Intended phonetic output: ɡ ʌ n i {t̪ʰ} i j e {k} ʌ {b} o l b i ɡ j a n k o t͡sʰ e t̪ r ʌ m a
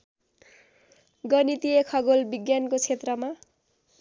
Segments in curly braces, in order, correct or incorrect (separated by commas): incorrect, incorrect, incorrect